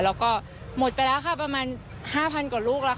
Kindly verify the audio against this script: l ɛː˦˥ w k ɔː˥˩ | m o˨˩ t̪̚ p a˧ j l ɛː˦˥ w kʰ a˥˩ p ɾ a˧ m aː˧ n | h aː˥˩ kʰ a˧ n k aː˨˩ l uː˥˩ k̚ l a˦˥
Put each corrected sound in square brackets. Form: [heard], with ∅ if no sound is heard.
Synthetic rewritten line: l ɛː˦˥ w k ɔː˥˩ | m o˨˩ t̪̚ p a˧ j l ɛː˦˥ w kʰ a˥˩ p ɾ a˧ m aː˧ n | h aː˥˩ [pʰ] a˧ n k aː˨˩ l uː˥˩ k̚ l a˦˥

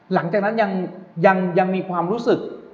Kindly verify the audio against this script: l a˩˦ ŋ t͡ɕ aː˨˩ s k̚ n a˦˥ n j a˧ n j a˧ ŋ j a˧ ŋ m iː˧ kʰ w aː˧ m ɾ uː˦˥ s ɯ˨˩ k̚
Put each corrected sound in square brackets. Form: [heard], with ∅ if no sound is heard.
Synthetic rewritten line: l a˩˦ ŋ t͡ɕ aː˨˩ [∅] k̚ n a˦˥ n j a˧ [ŋ] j a˧ ŋ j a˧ ŋ m iː˧ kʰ w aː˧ m ɾ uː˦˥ s ɯ˨˩ k̚

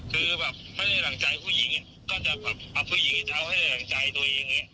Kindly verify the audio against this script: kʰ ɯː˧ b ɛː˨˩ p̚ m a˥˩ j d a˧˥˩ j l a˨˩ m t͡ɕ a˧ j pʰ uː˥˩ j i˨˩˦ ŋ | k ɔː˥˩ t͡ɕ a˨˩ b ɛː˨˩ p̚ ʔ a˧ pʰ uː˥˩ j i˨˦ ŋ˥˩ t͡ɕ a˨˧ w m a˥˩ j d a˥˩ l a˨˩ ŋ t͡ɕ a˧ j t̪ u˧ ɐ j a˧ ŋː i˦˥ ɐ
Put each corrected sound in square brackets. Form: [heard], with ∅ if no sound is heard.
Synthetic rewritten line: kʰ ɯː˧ b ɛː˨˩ p̚ m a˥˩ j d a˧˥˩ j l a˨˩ [ŋ] t͡ɕ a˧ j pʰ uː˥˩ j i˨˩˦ ŋ | k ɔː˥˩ t͡ɕ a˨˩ b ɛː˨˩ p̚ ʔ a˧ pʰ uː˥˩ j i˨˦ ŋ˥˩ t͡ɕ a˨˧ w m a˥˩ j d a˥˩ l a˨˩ ŋ t͡ɕ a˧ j t̪ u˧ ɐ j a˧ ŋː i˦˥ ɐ

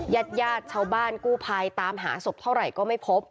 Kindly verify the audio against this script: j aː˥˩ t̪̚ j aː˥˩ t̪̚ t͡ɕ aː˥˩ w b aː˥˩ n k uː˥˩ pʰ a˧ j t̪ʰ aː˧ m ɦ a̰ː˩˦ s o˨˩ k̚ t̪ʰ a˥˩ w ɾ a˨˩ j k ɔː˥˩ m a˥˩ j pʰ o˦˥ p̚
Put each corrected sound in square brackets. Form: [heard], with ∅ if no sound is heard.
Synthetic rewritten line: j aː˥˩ t̪̚ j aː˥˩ t̪̚ [t͡ɕʰ] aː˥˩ w b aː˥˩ n k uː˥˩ pʰ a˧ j [t̪] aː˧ m ɦ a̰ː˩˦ s o˨˩ [p̚] t̪ʰ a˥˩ w ɾ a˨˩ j k ɔː˥˩ m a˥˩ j pʰ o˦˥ p̚

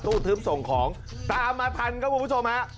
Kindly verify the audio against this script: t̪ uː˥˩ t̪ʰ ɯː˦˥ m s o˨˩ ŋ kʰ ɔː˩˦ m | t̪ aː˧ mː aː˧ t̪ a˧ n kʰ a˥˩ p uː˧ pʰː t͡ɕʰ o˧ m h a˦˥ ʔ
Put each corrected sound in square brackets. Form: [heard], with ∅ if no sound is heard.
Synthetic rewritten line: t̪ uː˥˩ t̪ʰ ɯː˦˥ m s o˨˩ ŋ kʰ ɔː˩˦ [ŋ] | t̪ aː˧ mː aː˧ [t̪ʰ] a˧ n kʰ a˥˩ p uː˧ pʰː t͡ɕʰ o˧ m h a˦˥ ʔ

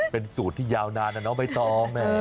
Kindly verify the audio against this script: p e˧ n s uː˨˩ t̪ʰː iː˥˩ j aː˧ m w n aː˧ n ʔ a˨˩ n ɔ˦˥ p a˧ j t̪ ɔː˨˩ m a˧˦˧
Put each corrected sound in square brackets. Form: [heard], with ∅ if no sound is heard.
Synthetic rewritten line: p e˧ n s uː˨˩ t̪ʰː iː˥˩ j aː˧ [∅] w n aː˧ n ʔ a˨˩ n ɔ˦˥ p a˧ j t̪ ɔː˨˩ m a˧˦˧

